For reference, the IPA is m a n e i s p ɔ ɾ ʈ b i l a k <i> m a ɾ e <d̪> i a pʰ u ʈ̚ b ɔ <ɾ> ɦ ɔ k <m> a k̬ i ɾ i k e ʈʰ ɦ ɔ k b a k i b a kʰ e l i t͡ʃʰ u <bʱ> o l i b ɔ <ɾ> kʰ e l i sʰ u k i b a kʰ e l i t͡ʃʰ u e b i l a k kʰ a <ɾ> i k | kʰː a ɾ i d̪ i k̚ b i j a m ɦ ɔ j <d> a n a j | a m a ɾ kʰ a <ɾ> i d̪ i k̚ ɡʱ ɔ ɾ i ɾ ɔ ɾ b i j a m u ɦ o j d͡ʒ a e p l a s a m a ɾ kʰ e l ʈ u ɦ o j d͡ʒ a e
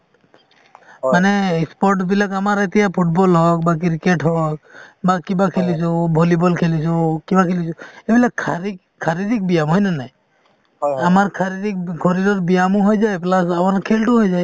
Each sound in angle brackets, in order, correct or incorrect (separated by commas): incorrect, incorrect, incorrect, incorrect, correct, incorrect, correct, incorrect, correct